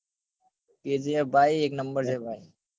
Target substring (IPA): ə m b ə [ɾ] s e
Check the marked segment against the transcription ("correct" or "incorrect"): correct